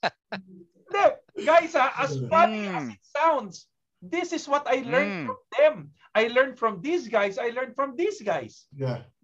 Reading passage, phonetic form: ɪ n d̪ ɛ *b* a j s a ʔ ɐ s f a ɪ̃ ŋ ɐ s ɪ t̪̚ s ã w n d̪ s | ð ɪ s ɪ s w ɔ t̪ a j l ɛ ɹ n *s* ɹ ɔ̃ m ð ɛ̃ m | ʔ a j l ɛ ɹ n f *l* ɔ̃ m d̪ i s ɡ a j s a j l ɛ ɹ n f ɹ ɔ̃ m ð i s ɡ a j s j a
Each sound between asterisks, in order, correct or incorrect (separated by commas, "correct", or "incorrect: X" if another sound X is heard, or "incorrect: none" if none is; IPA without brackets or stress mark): incorrect: ɡ, incorrect: f, incorrect: ɹ